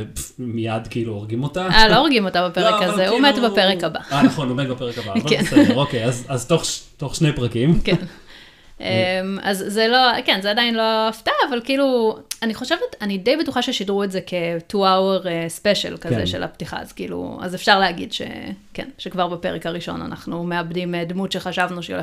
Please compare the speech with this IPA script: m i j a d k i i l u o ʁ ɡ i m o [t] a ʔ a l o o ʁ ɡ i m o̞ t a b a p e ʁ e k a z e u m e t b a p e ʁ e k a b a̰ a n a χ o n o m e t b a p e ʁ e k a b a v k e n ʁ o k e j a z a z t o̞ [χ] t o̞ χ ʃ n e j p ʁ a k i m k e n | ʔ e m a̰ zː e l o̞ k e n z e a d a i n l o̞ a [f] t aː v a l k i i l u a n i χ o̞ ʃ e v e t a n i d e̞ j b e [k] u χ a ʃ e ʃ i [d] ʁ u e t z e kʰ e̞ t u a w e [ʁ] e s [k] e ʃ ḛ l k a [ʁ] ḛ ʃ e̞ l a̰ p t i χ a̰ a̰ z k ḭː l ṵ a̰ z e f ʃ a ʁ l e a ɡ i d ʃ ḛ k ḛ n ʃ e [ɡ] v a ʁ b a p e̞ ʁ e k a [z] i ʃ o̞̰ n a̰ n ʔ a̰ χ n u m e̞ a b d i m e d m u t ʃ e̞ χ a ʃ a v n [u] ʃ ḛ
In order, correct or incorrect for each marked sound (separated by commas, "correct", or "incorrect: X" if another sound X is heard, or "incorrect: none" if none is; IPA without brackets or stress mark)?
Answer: correct, correct, correct, incorrect: t, correct, correct, incorrect: p, incorrect: z, incorrect: k, incorrect: ʁ, correct